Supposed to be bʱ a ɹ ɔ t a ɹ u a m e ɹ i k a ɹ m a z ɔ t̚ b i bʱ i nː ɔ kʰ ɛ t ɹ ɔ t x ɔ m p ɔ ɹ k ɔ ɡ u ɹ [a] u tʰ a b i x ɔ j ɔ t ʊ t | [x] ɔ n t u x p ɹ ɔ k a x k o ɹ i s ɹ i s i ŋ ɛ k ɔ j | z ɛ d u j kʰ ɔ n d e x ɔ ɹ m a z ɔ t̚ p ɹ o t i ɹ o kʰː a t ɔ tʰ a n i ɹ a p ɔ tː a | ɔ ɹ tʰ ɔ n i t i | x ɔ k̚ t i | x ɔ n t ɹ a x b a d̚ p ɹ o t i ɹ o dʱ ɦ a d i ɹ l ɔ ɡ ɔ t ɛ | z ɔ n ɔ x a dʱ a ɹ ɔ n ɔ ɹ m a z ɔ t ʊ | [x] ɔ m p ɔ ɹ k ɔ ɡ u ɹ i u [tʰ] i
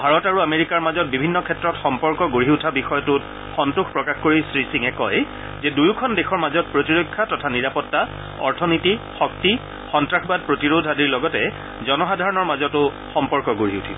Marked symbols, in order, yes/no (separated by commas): no, yes, yes, yes